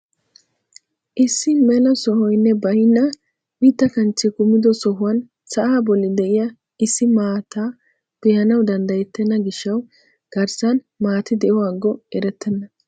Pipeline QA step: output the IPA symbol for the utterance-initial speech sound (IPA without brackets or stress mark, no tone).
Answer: ʔ